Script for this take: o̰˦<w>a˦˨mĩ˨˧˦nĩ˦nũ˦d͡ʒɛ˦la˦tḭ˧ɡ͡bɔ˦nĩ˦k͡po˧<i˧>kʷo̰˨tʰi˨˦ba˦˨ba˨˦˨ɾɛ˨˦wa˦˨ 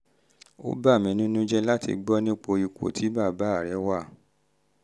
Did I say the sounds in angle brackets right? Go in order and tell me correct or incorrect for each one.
incorrect, correct

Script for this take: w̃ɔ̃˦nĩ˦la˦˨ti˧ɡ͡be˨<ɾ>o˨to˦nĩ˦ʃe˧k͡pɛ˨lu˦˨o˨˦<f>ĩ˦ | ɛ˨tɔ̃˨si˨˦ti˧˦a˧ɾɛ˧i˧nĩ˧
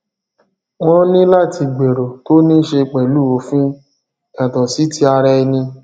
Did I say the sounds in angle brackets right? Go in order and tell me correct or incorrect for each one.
correct, correct

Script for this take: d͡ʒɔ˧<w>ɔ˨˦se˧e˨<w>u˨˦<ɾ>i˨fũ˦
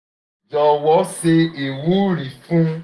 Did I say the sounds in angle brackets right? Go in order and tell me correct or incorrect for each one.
correct, correct, correct

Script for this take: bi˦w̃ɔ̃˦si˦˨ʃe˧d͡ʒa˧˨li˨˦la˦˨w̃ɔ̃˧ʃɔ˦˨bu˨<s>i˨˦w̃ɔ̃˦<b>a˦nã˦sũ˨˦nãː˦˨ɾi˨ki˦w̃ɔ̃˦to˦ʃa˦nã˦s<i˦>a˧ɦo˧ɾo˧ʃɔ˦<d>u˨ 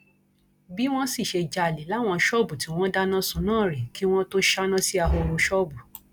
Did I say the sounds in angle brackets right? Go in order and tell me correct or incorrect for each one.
incorrect, incorrect, correct, incorrect

